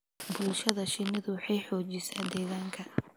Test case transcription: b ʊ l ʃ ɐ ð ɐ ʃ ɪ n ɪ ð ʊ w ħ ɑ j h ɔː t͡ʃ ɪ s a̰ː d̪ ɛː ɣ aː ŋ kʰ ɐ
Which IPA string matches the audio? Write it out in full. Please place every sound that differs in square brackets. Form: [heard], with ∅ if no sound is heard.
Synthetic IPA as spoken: b ʊ l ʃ ɐ ð ɐ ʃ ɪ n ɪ ð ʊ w ħ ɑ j [ħ] ɔː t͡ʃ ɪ s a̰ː d̪ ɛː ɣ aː ŋ kʰ ɐ